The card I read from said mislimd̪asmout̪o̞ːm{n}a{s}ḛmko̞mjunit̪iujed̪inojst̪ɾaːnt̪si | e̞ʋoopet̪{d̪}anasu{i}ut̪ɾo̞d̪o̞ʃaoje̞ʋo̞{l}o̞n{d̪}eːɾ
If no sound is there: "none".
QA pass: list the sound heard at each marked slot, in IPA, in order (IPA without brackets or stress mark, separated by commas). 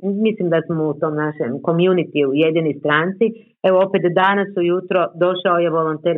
n, ʃ, d̪, j, l, t̪